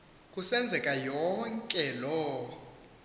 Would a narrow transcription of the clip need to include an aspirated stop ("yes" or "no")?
no